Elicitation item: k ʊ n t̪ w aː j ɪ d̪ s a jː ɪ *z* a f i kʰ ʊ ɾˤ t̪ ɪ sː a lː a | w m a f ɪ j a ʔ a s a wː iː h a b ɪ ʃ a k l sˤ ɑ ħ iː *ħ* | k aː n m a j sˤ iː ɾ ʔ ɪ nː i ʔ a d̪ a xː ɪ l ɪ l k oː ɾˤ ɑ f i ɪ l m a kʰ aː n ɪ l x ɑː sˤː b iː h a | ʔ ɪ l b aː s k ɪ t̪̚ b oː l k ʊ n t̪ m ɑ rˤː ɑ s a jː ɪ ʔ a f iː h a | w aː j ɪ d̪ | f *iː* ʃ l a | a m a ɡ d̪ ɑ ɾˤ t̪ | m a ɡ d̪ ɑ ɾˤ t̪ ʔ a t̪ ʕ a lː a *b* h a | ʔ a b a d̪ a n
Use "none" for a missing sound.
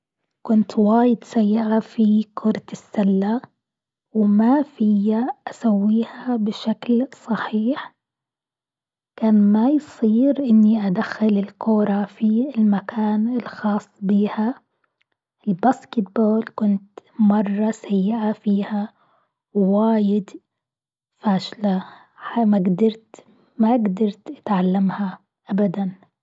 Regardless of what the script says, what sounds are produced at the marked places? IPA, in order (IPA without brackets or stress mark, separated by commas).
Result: ʕ, ħ, aː, m